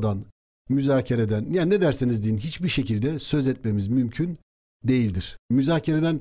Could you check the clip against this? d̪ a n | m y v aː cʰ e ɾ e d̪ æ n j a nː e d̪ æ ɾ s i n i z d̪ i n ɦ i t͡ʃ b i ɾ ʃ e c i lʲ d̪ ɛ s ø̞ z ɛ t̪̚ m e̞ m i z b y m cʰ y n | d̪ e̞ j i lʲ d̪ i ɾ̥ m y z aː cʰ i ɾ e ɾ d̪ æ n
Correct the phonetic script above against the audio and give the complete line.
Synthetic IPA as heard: d̪ a n | m y z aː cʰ e ɾ e d̪ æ n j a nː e d̪ æ ɾ s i n i z d̪ i n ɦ i t͡ʃ b i ɾ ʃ e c i lʲ d̪ ɛ s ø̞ z ɛ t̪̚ m e̞ m i z m y m cʰ y n | d̪ e̞ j i lʲ d̪ i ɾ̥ m y z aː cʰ e ɾ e d̪ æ n